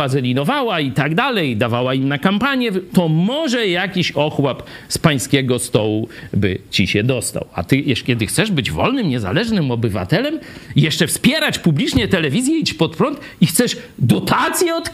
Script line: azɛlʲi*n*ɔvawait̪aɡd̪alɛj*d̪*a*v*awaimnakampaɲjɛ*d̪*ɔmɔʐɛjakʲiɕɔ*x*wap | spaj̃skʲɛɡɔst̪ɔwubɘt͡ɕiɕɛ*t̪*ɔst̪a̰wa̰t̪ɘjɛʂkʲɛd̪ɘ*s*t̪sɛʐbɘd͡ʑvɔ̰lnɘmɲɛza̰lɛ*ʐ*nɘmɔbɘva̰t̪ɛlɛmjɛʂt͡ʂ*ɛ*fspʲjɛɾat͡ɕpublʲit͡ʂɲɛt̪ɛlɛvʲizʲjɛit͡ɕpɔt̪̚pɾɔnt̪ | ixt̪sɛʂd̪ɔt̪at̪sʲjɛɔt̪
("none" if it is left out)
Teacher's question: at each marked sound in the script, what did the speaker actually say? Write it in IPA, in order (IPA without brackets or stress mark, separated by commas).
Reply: n, d̪, v, t̪, x, d̪, x, ʐ, ɛ